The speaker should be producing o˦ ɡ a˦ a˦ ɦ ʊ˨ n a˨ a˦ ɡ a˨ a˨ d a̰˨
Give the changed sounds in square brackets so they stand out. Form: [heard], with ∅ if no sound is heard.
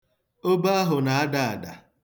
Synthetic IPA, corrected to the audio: o˦ [b] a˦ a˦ ɦ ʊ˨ n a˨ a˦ [d] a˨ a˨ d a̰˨